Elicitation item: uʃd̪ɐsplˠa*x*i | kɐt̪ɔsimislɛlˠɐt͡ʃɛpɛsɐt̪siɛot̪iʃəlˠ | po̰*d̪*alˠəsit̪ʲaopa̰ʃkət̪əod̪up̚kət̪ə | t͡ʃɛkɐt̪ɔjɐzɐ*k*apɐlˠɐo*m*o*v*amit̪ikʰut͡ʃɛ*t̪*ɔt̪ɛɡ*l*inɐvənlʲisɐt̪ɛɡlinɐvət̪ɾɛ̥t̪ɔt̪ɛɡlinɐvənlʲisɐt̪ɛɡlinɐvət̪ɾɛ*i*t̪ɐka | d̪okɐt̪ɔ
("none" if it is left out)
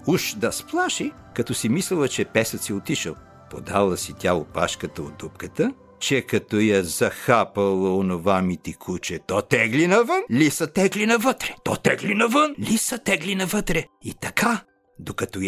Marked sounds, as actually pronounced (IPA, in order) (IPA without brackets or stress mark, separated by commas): ʃ, d̪, x, n, v, t̪, l, i